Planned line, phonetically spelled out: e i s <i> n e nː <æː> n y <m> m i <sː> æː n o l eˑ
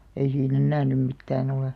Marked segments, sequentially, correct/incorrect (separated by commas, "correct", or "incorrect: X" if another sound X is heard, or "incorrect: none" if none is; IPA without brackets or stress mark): incorrect: iː, correct, correct, incorrect: tː